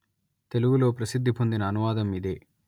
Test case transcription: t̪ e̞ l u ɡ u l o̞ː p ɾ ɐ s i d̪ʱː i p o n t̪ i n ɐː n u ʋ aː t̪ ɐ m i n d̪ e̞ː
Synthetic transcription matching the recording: t̪ e̞ l u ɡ u l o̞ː p ɾ ɐ s i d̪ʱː i p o n d̪ i n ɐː n u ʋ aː d̪ ɐ m i d̪ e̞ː